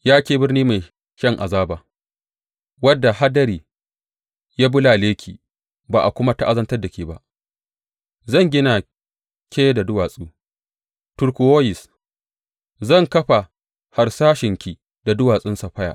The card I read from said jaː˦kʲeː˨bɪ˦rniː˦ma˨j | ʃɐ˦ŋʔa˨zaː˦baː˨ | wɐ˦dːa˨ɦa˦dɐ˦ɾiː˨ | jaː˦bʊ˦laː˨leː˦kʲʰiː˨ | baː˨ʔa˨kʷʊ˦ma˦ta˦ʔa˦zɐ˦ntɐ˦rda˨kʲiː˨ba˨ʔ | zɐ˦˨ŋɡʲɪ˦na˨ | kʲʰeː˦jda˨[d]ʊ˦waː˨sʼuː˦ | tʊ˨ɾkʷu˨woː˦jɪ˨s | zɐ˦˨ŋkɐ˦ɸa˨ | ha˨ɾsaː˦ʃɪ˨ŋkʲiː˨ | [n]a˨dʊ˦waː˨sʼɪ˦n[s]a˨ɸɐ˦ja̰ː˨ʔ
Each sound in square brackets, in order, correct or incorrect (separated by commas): correct, incorrect, correct